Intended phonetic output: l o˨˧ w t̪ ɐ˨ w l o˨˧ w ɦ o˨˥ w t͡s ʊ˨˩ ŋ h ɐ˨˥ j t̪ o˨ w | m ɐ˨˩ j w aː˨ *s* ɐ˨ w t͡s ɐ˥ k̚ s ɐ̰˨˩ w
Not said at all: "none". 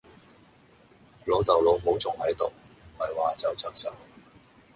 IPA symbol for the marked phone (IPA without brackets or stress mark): t͡s